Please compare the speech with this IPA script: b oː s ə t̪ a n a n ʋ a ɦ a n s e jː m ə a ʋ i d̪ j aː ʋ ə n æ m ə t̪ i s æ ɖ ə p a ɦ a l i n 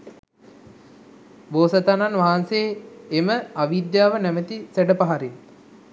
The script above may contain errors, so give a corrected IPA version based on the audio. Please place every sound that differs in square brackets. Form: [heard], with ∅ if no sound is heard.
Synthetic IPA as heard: b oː s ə t̪ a n a n ʋ a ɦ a n s e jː m ə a ʋ i d̪ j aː ʋ ə n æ m ə t̪ i s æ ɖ ə p a ɦ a [ɾ] i n

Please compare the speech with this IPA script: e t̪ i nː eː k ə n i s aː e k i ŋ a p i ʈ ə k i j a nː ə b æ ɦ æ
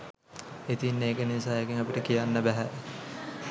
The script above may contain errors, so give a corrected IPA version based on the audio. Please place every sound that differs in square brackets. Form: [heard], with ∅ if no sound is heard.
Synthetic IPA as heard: e t̪ i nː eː k ə n i s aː e k i ŋ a p i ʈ ə k i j a nː ə b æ ɦ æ

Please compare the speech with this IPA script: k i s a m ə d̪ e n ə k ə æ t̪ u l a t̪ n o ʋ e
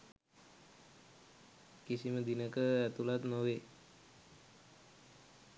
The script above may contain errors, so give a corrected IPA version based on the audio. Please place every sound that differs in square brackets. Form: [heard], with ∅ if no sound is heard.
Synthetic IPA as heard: k i s [i] m ə d̪ [i] n ə k ə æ t̪ u l a t̪ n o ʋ e

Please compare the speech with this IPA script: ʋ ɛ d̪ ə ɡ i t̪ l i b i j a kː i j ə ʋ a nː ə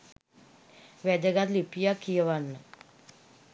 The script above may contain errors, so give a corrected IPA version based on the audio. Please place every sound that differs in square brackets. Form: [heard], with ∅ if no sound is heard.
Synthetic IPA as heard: ʋ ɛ d̪ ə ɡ [a] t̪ l i [p] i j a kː i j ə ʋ a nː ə

